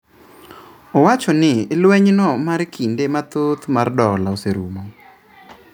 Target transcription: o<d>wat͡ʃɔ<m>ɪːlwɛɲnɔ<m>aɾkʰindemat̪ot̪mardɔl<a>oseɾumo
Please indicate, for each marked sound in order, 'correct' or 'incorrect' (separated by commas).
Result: incorrect, incorrect, correct, correct